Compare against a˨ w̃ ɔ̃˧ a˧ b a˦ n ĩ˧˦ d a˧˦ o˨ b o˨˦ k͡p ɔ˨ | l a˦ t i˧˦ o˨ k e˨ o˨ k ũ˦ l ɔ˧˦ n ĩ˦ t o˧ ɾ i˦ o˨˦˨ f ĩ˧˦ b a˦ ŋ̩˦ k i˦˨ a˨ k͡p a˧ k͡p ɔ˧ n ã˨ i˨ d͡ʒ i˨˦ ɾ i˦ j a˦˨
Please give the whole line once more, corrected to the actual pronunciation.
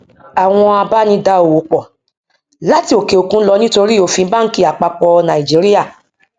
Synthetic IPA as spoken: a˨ w̃ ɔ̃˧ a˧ b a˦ n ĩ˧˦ d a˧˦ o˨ w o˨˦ k͡p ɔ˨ | l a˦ t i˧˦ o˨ k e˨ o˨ k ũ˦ l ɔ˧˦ n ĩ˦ t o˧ ɾ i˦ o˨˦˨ f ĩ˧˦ b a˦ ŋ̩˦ k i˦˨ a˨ k͡p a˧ k͡p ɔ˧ n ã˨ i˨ d͡ʒ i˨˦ ɾ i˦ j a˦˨

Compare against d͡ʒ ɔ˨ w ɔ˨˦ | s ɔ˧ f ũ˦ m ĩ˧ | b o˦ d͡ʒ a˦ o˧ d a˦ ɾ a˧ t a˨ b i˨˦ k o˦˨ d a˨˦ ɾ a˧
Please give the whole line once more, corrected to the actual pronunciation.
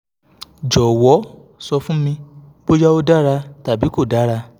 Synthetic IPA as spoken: d͡ʒ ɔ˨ w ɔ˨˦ | s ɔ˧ f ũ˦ m ĩ˧ | b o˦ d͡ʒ a˦ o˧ d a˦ ɾ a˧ t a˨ b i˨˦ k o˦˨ d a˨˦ ɾ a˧

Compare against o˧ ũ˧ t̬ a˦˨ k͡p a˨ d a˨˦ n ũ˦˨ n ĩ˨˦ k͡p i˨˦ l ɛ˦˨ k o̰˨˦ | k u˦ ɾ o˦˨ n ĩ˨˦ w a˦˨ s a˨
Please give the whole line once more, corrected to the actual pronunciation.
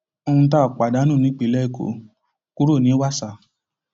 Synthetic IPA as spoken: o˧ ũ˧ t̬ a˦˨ k͡p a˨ d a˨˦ n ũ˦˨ n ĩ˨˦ k͡p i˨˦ l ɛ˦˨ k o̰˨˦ | k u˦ ɾ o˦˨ n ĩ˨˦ w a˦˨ s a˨

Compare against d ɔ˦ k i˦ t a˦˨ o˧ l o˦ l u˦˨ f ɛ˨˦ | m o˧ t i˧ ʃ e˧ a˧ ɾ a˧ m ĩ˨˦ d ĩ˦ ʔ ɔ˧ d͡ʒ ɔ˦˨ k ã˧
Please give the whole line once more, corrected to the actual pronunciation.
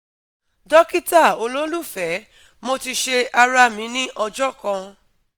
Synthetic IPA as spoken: d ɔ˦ k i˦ t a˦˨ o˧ l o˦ l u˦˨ f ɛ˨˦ | m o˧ t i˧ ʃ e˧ a˧ ɾ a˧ m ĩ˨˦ n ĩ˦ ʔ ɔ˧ d͡ʒ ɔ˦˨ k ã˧

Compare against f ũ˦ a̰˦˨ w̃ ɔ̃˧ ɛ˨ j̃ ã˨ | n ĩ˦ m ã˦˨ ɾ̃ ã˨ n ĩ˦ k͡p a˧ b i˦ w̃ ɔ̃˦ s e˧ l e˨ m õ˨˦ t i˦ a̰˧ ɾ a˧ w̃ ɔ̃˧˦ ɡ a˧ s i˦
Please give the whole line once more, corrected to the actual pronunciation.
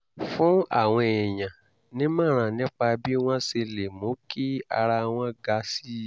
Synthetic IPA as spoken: f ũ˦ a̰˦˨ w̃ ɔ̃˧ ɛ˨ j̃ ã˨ | n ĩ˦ m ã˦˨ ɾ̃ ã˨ n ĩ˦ k͡p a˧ b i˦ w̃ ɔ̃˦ s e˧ l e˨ m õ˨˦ k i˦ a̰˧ ɾ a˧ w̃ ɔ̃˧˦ ɡ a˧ s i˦

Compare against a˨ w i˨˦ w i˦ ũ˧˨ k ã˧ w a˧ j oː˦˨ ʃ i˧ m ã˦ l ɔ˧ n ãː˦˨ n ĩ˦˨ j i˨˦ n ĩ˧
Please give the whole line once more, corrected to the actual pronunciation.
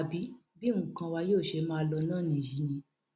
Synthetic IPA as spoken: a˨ b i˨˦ b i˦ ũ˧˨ k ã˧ w a˧ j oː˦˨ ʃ e˧ m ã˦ l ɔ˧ n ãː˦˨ n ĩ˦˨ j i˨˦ n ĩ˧

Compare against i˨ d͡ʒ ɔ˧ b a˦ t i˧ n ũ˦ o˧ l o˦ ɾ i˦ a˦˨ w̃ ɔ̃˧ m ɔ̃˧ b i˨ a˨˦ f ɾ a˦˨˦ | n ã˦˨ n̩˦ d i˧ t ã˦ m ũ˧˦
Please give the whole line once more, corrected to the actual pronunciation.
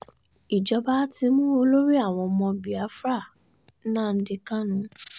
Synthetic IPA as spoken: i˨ d͡ʒ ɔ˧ b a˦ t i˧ m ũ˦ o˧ l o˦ ɾ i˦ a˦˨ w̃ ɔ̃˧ m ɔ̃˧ b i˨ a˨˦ f ɾ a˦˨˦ | n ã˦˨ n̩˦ d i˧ k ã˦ n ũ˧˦

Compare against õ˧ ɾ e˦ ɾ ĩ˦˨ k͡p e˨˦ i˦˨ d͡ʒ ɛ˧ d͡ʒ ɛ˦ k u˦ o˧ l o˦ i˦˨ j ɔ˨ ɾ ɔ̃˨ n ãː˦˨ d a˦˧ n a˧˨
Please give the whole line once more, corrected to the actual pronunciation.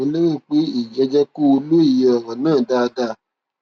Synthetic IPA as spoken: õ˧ l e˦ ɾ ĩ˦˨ k͡p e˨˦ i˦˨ d͡ʒ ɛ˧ d͡ʒ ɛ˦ k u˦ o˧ l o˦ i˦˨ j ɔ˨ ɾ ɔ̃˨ n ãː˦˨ d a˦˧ d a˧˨

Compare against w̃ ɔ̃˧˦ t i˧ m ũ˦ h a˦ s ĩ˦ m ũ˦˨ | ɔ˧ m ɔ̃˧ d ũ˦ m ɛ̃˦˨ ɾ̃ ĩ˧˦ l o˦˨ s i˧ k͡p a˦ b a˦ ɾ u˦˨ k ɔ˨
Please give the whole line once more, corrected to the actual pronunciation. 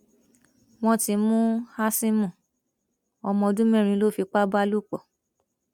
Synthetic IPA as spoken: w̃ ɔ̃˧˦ t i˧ m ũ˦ h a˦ s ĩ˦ m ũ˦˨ | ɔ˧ m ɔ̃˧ d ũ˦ m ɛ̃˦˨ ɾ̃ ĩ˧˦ l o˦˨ f i˧ k͡p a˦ b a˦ l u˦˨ k͡p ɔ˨

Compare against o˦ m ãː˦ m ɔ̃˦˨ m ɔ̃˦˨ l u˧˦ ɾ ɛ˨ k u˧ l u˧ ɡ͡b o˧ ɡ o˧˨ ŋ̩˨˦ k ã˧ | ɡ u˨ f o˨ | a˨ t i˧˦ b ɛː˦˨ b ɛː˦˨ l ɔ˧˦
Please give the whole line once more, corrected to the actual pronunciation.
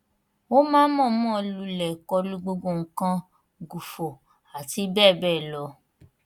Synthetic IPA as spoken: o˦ m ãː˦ m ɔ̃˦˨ m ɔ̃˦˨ l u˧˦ l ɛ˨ k ɔ˧ l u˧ ɡ͡b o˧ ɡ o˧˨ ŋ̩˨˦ k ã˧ | ɡ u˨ f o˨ | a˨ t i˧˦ b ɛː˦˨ b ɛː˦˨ l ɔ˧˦

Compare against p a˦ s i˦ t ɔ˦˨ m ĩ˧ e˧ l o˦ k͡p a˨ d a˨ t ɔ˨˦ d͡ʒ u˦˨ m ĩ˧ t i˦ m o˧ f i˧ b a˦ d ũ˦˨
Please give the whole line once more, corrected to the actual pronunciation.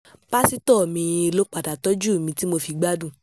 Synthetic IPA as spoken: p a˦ s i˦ t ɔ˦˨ m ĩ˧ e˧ l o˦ k͡p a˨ d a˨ t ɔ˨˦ d͡ʒ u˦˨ m ĩ˧ t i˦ m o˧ f i˧ ɡ͡b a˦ d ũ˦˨

